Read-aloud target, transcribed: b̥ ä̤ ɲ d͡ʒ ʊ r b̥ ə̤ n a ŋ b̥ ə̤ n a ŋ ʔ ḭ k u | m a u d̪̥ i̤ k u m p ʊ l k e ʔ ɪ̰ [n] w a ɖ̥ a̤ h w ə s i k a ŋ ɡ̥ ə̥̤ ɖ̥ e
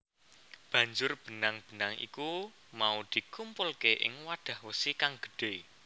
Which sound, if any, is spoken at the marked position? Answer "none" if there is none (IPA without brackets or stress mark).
ŋ